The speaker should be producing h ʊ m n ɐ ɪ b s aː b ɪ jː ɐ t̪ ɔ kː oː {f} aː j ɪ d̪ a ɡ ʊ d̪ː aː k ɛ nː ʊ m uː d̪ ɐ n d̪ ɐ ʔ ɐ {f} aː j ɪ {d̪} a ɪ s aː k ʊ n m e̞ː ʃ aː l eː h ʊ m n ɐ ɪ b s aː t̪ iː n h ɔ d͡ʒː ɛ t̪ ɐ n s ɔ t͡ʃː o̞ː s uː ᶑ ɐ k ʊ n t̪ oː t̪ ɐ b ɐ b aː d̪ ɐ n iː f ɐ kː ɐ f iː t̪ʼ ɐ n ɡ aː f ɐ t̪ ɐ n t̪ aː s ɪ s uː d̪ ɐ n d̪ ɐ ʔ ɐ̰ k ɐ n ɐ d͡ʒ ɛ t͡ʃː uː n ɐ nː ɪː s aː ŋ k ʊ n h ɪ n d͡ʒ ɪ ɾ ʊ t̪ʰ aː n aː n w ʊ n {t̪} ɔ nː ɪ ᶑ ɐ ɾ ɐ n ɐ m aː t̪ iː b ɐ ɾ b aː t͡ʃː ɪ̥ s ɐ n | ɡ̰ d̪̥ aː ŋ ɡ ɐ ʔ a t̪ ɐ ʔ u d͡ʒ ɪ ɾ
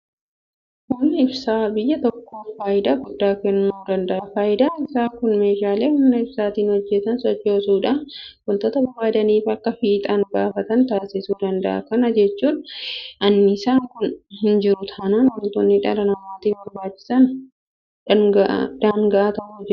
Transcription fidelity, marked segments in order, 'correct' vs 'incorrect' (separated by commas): correct, correct, correct, correct